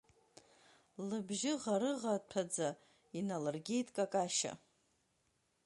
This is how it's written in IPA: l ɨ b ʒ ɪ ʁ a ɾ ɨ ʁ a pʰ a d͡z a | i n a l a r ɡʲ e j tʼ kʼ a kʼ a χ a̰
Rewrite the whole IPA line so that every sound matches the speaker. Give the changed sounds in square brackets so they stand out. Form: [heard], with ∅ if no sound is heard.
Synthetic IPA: l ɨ b ʒ ɪ ʁ a ɾ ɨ ʁ a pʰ a d͡z a | i n a l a r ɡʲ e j tʼ kʼ a kʼ a [ʃ] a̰